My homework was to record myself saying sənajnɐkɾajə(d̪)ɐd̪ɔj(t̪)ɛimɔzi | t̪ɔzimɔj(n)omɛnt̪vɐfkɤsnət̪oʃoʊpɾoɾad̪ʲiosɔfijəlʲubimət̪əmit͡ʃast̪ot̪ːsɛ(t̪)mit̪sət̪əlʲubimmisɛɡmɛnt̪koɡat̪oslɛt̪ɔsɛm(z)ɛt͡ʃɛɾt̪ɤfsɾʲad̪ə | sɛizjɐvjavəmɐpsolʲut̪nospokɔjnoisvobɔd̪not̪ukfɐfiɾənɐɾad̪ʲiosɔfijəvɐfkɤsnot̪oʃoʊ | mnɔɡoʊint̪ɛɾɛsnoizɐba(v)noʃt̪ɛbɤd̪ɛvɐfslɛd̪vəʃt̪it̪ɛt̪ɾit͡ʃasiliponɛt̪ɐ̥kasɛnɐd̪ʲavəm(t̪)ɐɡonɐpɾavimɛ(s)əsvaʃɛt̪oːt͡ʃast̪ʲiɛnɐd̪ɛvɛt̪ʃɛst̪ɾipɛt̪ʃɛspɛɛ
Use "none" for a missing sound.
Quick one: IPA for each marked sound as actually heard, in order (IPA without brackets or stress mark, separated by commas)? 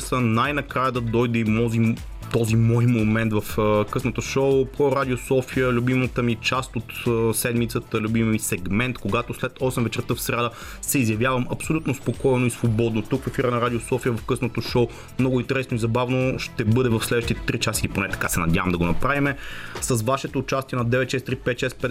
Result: d̪, d̪, m, d̪, v, v, d̪, s